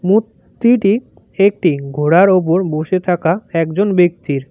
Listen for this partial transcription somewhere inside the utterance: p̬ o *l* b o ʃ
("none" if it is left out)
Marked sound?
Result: ɾ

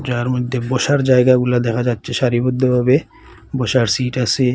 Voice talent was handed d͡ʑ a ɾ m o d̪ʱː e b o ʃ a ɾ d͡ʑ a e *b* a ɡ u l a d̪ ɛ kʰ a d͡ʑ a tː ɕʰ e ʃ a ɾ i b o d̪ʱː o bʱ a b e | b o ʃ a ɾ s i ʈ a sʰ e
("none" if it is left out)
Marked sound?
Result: ɡ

